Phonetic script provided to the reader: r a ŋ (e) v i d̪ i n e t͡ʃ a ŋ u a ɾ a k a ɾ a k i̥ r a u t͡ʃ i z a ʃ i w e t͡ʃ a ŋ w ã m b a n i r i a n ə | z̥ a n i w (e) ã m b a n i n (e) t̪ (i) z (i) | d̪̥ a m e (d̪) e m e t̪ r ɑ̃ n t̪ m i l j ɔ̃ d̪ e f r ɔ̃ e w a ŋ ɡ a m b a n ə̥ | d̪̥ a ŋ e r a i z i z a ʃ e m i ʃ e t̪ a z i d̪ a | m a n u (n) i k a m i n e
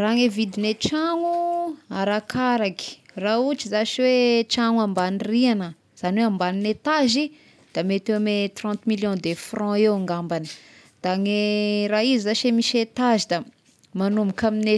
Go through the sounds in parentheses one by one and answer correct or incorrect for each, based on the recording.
correct, correct, correct, incorrect, correct, incorrect, incorrect

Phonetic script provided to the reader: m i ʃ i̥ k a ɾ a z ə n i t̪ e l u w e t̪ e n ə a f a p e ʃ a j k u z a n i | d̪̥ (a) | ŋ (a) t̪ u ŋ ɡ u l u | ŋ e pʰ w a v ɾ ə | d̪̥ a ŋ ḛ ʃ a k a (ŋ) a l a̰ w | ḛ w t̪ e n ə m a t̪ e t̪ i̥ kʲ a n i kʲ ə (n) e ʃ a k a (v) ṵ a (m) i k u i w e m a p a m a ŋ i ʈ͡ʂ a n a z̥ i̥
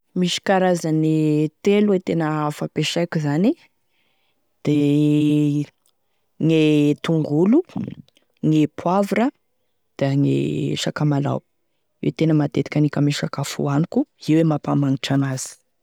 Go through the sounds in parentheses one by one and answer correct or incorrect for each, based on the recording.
incorrect, incorrect, incorrect, incorrect, incorrect, incorrect

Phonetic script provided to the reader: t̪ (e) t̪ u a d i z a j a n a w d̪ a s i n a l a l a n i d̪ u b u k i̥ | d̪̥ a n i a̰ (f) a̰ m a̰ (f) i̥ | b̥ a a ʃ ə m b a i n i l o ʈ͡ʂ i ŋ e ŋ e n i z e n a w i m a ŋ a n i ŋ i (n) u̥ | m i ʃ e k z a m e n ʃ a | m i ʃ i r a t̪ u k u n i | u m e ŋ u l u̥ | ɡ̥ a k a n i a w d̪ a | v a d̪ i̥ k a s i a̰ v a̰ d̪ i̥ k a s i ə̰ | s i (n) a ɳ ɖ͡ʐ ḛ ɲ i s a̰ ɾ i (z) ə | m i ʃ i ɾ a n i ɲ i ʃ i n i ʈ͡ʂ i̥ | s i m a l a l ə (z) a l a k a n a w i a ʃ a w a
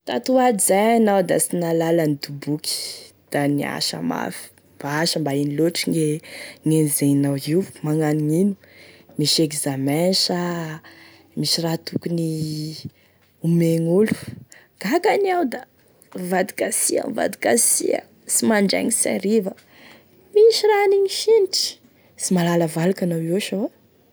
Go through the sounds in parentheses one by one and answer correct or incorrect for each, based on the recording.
incorrect, incorrect, correct, correct, incorrect, incorrect, incorrect

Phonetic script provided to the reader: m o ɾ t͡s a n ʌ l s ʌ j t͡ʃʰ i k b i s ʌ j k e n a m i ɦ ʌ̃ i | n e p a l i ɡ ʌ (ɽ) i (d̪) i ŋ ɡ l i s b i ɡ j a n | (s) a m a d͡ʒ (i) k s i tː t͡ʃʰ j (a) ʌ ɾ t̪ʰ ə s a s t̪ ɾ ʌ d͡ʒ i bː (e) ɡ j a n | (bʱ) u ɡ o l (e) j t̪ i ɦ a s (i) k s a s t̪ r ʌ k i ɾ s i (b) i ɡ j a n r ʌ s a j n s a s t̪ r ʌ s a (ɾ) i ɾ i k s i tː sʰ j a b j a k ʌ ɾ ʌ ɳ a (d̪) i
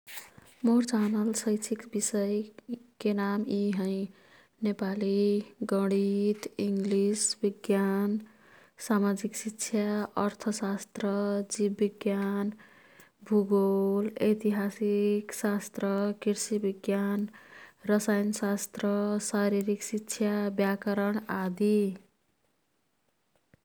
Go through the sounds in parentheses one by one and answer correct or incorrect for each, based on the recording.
correct, incorrect, correct, correct, correct, incorrect, correct, correct, correct, correct, correct, correct

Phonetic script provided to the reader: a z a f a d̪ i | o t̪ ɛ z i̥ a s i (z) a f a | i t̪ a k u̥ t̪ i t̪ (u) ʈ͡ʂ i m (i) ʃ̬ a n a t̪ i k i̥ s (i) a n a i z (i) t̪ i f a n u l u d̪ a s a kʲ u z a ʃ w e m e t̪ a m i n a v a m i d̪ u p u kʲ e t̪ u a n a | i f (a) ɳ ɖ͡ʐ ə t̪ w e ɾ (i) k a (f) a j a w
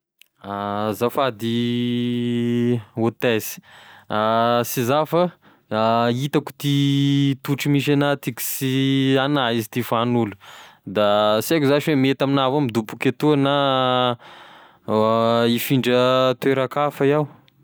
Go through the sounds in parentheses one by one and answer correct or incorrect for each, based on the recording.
correct, correct, correct, correct, correct, incorrect, incorrect, correct

